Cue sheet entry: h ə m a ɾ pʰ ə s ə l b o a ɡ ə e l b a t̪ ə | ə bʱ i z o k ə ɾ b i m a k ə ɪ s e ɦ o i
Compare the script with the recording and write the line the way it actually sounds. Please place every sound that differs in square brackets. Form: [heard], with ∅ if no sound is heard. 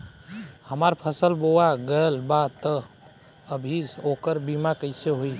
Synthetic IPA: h ə m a ɾ pʰ ə s ə l b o a ɡ ə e l b a t̪ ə | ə bʱ i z o k ə ɾ b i m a k ə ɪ s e ɦ o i